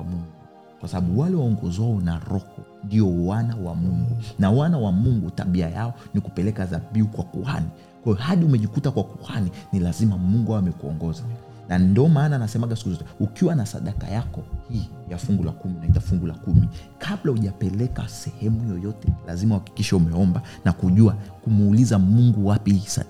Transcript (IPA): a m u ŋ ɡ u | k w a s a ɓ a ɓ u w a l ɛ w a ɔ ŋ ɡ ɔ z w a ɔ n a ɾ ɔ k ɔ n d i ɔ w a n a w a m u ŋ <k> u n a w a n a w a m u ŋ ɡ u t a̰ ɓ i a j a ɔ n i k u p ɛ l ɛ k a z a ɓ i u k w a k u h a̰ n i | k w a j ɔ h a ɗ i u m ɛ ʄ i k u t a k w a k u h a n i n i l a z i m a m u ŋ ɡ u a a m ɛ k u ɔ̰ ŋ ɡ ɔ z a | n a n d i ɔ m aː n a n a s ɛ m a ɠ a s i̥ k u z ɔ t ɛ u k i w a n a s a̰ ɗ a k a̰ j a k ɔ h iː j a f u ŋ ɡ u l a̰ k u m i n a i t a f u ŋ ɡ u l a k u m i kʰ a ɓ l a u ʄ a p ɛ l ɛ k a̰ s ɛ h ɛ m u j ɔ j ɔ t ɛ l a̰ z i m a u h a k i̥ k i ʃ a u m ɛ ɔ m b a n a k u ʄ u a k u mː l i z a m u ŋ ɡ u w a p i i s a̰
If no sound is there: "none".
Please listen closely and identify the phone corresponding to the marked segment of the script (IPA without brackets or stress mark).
ɡ